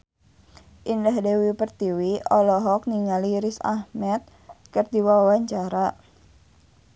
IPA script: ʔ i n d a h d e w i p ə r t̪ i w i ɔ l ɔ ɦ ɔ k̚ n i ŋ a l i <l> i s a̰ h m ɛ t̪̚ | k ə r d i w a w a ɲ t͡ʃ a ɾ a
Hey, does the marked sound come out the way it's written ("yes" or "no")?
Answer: no